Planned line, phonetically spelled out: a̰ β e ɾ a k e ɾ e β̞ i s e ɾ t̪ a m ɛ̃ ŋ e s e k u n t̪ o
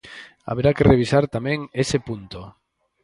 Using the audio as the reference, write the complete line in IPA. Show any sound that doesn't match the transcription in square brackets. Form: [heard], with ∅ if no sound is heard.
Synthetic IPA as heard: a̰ β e ɾ a k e [r] e β̞ i s [a] ɾ t̪ a m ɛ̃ ŋ e s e [p] u n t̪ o

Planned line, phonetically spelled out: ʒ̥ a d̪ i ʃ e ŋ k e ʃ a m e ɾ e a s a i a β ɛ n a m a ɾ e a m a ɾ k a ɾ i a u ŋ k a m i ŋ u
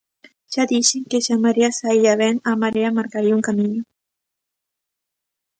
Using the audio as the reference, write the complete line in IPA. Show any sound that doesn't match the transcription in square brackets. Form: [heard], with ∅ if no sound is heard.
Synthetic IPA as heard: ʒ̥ a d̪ i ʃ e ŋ k e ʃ a m [a] ɾ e a s a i a β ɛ n a m a ɾ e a m a ɾ k a ɾ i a u ŋ k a m i [ɲ] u

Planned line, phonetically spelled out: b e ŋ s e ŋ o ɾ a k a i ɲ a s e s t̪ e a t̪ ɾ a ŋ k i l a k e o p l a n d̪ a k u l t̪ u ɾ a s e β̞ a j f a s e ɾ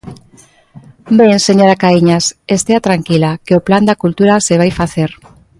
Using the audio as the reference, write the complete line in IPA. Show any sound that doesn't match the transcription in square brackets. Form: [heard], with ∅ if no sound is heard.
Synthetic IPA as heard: b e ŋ s e [ɲ] o ɾ a k a i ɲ a s e s t̪ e a t̪ ɾ a ŋ k i l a k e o p l a n d̪ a k u l t̪ u ɾ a s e β̞ a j f a [θ] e ɾ

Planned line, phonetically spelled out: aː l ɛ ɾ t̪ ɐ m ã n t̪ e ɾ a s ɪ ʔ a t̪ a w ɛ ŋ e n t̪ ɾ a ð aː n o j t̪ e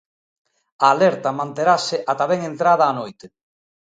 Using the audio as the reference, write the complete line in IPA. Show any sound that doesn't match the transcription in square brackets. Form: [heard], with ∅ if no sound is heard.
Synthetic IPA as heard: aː l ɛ ɾ t̪ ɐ m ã n t̪ e ɾ a s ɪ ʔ a t̪ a [β] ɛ ŋ e n t̪ ɾ a ð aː n o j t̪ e

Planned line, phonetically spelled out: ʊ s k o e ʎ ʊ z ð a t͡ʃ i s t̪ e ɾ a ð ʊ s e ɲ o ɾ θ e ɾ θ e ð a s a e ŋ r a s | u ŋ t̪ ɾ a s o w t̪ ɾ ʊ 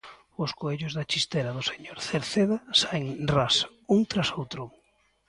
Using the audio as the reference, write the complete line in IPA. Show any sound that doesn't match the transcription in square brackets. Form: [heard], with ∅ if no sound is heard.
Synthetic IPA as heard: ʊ s k o e ʎ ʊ z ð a t͡ʃ i s t̪ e ɾ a ð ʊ s e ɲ o ɾ θ e ɾ θ e ð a s a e ŋ r a s | u ŋ t̪ ɾ a s o w t̪ ɾ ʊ

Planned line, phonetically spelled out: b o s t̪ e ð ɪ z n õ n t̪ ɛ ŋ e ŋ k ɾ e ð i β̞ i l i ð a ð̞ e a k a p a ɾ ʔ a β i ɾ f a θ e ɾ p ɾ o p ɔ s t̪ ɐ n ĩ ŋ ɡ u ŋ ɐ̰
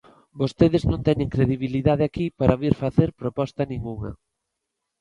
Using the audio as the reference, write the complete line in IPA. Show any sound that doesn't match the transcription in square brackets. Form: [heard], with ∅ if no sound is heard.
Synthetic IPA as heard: b o s t̪ e ð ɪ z n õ n t̪ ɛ [ɲ] e ŋ k ɾ e ð i β̞ i l i ð a ð̞ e a k [i] p a ɾ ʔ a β i ɾ f a θ e ɾ p ɾ o p ɔ s t̪ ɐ n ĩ ŋ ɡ u ŋ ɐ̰

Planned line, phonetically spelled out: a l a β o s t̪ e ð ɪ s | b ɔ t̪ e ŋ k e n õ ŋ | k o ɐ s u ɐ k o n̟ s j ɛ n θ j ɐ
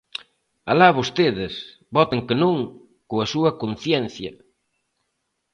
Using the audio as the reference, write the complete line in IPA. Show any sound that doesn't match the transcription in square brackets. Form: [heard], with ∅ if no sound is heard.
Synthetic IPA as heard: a l a β o s t̪ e ð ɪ s | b ɔ t̪ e ŋ k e n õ ŋ | k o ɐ s u ɐ k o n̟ [θ] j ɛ n θ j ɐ

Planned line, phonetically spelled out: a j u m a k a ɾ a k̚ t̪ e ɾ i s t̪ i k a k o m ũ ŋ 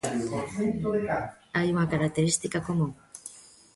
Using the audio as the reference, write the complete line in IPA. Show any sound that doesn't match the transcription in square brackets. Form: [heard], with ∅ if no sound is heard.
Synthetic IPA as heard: a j u [ŋ] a k a ɾ a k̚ t̪ e ɾ i s t̪ i k a k o m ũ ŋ

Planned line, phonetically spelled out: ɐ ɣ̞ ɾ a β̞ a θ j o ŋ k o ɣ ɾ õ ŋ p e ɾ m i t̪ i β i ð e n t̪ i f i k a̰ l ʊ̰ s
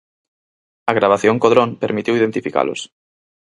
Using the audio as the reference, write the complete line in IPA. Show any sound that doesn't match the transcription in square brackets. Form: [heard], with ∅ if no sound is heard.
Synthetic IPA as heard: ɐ ɣ̞ ɾ a β̞ a θ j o ŋ k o [ð] ɾ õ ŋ p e ɾ m i t̪ i [w] i ð e n t̪ i f i k a̰ l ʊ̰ s

